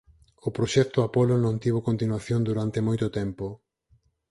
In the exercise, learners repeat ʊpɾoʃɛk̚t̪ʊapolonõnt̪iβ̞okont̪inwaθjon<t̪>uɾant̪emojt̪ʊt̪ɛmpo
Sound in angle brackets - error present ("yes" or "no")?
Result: yes